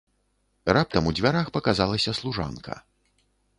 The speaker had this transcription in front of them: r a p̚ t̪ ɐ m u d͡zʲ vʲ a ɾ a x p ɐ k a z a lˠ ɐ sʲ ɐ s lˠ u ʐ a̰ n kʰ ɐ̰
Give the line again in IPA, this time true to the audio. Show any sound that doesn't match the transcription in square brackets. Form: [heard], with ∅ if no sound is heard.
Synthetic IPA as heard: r a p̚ t̪ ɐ m u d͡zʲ vʲ a ɾ a x p ɐ k a z a lˠ ɐ sʲ ɐ s lˠ u ʐ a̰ n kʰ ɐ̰